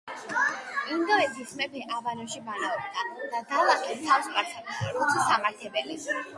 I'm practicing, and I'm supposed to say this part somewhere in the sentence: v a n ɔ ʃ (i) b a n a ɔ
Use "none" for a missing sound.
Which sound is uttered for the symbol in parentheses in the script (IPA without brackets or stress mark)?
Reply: i